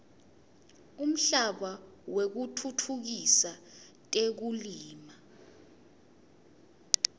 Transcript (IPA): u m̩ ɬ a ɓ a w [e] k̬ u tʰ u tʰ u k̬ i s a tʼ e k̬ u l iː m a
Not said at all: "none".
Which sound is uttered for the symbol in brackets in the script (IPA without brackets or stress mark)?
e